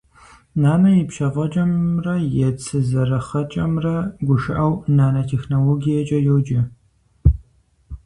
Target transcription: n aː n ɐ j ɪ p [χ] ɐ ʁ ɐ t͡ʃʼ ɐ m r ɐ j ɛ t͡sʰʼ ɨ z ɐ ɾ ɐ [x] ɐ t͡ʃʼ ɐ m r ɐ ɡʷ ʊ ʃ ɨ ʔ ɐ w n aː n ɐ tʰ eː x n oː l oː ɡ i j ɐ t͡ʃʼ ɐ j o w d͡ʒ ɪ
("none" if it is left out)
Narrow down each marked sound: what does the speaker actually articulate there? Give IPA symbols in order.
ʃ, χ

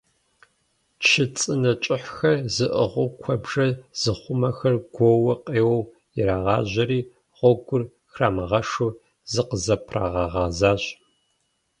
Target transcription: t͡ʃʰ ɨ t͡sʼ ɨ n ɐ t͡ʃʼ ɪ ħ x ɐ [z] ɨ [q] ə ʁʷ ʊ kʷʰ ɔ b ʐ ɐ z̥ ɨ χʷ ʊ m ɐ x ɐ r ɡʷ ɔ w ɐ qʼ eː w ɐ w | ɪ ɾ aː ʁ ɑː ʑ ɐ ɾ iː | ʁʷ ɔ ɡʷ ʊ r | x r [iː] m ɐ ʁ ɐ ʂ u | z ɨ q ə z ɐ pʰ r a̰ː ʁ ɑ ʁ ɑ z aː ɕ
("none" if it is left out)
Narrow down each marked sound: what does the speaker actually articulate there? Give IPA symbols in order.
z, ʔ, aː

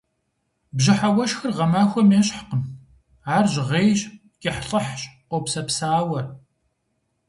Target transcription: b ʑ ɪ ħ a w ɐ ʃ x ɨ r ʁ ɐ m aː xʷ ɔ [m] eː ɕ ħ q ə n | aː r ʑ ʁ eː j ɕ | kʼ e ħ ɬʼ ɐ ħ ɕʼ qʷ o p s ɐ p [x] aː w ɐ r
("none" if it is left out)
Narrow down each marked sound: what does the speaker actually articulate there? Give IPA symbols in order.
m, s

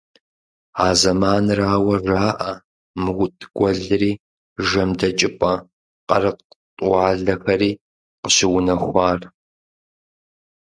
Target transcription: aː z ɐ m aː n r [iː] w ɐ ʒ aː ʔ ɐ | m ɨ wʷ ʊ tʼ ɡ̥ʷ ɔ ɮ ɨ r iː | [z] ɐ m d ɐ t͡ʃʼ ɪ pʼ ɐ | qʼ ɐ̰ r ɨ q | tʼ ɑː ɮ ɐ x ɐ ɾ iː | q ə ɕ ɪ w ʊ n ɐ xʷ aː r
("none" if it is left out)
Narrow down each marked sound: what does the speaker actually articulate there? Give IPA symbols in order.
aː, ʒ

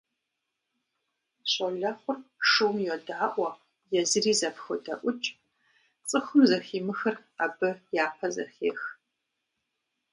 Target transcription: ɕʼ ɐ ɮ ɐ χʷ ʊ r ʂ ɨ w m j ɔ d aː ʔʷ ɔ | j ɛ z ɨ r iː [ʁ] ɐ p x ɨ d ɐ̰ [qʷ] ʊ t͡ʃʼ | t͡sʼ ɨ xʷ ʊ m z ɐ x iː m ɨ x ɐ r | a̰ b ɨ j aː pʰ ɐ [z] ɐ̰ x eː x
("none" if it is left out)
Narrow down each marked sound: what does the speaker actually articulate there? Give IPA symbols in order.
z, ʔʷ, z

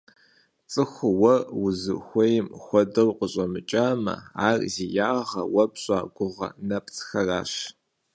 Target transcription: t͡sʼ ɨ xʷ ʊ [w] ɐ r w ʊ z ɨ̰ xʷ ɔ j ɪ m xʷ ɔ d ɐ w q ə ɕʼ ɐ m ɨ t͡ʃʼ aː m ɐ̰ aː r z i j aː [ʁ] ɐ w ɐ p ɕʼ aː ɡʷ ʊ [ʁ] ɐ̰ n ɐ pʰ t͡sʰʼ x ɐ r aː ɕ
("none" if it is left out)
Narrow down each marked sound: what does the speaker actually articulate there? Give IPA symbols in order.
w, ʁ, ʁ

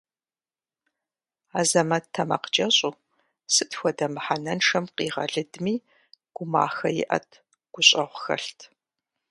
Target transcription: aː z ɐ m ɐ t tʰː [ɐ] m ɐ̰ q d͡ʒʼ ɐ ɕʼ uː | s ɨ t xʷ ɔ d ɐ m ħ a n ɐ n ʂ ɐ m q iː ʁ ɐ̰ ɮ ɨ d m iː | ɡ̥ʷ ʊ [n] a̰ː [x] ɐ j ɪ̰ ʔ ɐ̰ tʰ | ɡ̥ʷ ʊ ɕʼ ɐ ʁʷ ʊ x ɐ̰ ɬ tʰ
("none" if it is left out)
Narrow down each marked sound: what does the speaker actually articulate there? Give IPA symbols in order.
ɐ, m, x

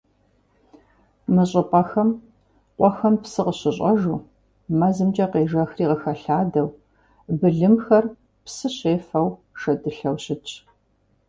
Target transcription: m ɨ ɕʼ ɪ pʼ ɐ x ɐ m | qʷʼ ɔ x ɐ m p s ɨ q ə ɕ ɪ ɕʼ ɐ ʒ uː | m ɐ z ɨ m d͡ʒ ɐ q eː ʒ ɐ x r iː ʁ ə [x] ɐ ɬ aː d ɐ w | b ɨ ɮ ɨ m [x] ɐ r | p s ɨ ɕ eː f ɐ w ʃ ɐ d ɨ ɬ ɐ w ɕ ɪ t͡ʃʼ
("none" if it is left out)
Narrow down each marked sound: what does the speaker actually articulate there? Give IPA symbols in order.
x, x

